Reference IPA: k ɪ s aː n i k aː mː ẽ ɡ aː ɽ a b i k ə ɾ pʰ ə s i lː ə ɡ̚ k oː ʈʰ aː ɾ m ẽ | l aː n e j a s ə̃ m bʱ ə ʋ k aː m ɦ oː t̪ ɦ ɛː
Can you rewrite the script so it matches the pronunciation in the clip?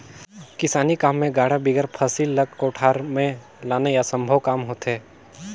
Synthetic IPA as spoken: k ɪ s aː n i k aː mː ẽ ɡ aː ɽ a b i ɡ ə ɾ pʰ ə s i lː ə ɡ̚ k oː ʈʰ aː ɾ m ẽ | l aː n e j a s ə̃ m bʱ ə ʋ k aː m ɦ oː t̪ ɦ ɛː